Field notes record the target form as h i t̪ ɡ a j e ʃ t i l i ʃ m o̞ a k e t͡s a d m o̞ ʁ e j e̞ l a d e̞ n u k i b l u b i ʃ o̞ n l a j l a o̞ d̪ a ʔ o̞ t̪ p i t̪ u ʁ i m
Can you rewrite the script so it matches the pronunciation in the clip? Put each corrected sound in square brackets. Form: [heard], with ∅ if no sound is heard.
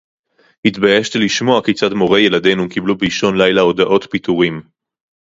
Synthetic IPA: h i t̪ [b] a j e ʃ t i l i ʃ m o̞ a k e t͡s a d m o̞ ʁ e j e̞ l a d e̞ n u k i b l u b i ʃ o̞ n l a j l a o̞ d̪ a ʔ o̞ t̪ p i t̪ u ʁ i m